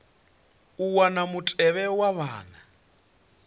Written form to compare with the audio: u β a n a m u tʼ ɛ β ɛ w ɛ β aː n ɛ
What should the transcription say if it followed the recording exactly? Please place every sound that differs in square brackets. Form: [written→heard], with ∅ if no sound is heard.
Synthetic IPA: u [β→w] a n a m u tʼ ɛ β ɛ w [ɛ→a] β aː n [ɛ→a]